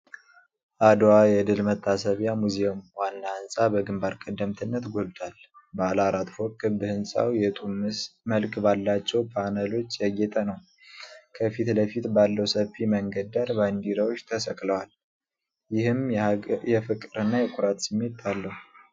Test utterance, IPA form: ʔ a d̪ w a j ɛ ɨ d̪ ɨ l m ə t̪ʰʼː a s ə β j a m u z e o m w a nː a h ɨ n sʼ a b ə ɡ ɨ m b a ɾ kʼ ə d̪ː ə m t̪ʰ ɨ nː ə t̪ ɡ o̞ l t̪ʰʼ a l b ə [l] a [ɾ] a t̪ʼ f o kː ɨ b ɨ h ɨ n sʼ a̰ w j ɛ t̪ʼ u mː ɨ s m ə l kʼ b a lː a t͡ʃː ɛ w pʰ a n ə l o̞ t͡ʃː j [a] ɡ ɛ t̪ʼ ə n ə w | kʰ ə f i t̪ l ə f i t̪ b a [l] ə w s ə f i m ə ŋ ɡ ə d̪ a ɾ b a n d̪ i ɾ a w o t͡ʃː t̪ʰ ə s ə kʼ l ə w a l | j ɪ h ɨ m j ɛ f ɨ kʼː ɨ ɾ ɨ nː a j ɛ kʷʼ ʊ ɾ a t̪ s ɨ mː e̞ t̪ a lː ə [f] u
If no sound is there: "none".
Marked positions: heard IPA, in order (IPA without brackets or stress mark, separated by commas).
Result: l, ɾ, ɛ, lː, h